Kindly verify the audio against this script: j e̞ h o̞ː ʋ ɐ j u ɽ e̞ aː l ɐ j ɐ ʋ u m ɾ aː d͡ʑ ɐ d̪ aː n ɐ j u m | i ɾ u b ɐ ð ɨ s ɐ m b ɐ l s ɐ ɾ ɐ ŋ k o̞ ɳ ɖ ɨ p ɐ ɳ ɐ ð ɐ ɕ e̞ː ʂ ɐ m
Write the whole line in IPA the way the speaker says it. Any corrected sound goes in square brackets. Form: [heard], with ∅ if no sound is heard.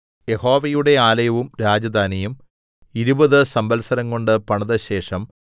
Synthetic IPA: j e̞ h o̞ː ʋ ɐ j u ɽ e̞ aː l ɐ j ɐ ʋ u m ɾ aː d͡ʑ ɐ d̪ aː n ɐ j u m | i ɾ u b ɐ ð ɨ s ɐ m b ɐ l s ɐ ɾ ɐ ŋ k o̞ ɳ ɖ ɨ p ɐ ɳ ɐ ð ɐ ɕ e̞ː ʂ ɐ m